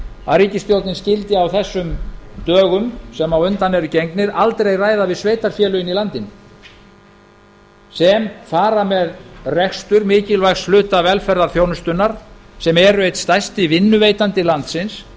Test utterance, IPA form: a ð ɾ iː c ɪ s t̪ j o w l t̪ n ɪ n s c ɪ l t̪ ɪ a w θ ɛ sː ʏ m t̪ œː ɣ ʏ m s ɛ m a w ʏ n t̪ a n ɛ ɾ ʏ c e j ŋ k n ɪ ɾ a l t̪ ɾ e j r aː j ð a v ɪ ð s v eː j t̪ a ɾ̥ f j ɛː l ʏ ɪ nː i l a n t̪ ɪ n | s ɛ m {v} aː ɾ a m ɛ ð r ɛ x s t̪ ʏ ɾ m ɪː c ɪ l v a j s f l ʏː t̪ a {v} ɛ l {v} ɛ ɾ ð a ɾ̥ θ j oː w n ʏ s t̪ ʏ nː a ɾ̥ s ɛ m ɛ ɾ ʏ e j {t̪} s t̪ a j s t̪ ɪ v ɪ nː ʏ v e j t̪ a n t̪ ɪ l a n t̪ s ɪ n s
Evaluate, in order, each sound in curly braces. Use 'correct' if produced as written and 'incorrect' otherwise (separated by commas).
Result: incorrect, correct, incorrect, correct